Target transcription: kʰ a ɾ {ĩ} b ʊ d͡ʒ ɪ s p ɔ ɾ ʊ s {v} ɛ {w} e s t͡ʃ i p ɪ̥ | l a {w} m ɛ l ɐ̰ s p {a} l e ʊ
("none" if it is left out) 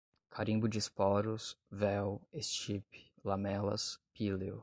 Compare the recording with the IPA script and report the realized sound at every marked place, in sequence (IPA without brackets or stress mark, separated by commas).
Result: ĩ, v, w, none, i